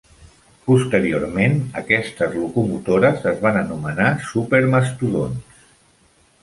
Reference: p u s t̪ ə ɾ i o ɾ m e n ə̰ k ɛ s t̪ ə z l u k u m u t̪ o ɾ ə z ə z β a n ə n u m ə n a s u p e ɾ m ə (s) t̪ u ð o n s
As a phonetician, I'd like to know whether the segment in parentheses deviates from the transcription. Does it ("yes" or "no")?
no